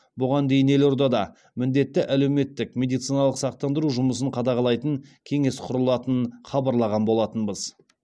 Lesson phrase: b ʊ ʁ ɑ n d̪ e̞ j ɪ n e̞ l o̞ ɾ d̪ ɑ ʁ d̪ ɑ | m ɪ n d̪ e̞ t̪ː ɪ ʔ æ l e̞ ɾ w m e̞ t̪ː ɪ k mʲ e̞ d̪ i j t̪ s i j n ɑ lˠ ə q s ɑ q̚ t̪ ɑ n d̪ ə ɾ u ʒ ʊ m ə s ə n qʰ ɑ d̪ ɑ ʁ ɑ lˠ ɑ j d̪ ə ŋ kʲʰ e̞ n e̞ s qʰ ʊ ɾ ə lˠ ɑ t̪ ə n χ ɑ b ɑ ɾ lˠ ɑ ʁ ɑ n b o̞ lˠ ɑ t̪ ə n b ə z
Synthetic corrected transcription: b ʊ ʁ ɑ n d̪ e̞ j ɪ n e̞ l o̞ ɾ d̪ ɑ d̪ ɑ | m ɪ n d̪ e̞ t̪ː ɪ ʔ æ l e̞ w m e̞ t̪ː ɪ k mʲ e̞ d̪ i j t̪ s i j n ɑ lˠ ə q s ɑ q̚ t̪ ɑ n d̪ ə ɾ u ʒ ʊ m ə s ə ɴ qʰ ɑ d̪ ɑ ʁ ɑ lˠ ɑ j t̪ ə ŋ kʲʰ e̞ ŋ e̞ s qʰ ʊ ɾ ə lˠ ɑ t̪ ə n χ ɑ b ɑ ɾ lˠ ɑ ʁ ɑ n b o̞ lˠ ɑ t̪ ə n b ə z